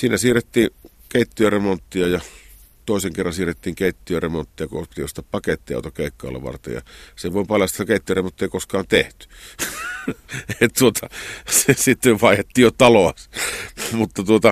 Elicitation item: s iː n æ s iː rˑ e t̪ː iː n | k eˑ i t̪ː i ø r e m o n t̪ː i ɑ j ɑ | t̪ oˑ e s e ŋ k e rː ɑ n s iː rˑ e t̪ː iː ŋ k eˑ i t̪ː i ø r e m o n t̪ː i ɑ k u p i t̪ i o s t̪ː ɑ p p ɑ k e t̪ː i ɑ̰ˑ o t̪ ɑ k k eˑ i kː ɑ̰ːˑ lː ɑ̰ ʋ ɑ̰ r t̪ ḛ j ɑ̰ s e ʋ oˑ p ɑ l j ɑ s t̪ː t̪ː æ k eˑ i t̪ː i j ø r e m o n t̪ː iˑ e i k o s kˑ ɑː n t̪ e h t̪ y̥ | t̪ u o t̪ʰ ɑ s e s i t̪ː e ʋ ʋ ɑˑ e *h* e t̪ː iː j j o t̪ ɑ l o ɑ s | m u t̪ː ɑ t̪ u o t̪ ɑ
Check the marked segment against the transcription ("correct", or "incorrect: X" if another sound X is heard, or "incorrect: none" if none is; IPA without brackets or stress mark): correct